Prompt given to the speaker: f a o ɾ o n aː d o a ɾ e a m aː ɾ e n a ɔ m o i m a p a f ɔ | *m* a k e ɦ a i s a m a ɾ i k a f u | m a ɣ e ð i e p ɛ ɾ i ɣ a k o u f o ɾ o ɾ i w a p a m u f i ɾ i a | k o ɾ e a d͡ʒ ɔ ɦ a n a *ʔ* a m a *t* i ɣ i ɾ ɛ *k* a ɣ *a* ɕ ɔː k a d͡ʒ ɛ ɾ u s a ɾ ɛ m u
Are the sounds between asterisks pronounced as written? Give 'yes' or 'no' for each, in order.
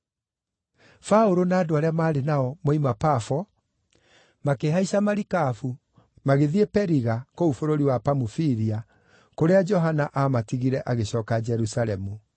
yes, yes, yes, no, no

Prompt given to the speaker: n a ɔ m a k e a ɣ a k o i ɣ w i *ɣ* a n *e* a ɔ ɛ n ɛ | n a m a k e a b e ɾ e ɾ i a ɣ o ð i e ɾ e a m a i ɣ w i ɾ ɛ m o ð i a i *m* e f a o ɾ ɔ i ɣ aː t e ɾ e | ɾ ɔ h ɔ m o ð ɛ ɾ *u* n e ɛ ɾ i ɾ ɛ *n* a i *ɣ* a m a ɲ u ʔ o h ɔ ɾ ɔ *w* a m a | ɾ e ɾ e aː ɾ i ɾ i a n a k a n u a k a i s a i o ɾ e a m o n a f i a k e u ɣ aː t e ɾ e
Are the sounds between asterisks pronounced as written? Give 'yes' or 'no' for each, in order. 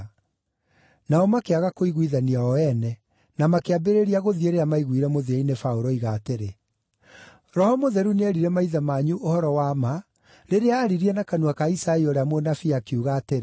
no, no, no, yes, no, no, yes

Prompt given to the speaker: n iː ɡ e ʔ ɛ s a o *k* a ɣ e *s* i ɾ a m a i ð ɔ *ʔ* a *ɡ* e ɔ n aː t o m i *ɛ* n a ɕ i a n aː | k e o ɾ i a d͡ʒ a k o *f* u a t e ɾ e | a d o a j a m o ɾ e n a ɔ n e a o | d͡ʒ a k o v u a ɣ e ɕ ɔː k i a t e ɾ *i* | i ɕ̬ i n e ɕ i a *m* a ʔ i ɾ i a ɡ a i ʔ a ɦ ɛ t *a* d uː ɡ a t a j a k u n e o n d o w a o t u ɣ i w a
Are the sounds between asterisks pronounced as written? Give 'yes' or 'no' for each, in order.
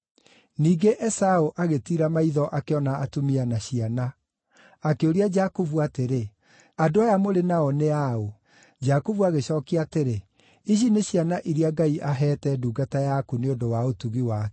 no, no, yes, no, no, no, no, no, no

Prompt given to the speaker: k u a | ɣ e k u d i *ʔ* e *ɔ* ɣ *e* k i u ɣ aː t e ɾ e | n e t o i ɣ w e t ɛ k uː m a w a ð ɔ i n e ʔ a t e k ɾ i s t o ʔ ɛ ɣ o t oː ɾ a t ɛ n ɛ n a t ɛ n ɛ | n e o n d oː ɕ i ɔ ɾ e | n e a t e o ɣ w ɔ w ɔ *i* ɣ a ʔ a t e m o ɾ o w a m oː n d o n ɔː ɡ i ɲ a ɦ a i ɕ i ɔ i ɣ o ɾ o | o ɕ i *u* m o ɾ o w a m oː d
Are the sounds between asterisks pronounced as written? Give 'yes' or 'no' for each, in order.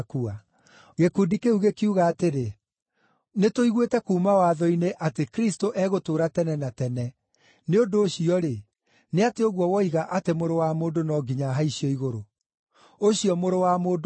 no, no, yes, yes, no

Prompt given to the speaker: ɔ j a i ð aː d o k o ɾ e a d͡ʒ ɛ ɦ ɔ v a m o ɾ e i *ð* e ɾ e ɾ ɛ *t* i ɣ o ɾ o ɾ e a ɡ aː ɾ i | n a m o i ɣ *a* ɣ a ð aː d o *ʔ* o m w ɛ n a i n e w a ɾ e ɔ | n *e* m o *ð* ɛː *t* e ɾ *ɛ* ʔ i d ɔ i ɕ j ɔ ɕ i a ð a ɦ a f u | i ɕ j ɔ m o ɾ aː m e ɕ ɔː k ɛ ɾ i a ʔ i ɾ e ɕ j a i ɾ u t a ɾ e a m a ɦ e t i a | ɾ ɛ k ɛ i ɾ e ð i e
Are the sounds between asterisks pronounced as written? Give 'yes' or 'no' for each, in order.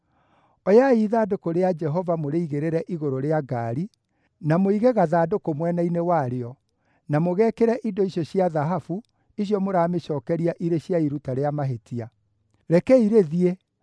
no, no, no, no, no, no, no, yes

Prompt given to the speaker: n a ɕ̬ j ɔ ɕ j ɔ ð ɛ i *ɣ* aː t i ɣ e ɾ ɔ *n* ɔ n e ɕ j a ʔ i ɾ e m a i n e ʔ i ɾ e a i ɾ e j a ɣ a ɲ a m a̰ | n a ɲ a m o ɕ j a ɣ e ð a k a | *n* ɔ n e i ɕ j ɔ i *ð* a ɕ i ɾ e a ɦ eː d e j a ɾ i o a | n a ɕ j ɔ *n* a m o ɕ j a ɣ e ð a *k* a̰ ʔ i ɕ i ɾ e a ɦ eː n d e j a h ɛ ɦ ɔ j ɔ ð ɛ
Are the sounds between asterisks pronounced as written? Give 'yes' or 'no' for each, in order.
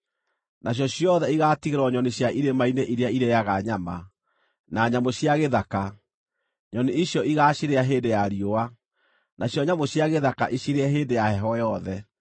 yes, no, no, no, no, yes

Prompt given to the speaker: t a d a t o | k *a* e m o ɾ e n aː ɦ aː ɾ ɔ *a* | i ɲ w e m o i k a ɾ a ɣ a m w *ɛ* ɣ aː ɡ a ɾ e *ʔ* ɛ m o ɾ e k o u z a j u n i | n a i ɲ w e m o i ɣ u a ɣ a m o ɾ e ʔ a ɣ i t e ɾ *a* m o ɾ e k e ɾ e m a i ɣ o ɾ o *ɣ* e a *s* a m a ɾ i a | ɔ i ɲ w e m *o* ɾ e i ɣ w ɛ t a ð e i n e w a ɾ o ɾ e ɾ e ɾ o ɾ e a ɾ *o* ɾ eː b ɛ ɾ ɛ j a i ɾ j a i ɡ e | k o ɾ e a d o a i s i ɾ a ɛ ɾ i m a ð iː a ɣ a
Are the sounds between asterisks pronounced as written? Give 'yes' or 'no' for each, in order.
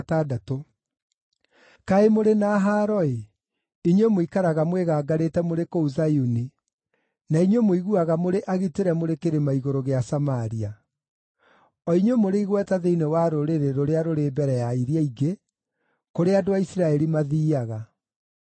yes, no, no, no, no, yes, yes, yes, yes

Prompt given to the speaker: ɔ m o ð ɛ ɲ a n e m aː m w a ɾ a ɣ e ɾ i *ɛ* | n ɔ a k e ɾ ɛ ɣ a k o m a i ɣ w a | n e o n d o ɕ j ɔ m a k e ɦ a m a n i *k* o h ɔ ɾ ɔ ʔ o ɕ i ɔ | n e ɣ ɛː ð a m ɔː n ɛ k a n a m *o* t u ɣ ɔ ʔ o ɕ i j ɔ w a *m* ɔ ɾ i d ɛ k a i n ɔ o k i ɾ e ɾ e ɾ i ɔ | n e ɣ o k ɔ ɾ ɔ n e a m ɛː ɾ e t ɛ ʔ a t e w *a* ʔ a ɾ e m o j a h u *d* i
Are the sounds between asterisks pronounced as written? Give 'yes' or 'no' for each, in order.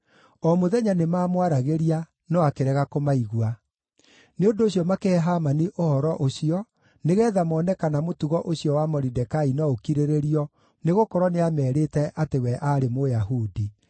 no, no, yes, yes, no, yes

